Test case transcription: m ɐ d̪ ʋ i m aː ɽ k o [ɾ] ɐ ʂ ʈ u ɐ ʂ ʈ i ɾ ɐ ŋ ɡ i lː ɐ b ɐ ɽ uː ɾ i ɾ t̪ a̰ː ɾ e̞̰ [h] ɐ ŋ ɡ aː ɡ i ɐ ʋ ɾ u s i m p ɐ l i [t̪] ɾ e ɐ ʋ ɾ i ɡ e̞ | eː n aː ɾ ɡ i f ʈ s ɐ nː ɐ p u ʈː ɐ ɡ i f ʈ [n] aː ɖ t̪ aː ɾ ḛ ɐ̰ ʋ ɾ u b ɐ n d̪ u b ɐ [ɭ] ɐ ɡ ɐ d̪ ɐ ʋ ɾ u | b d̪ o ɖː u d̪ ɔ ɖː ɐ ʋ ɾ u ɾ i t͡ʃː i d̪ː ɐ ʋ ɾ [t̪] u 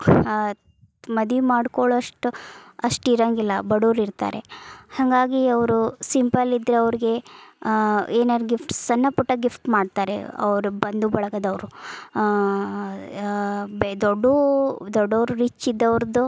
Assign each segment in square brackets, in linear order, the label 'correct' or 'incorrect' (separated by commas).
incorrect, correct, incorrect, incorrect, correct, incorrect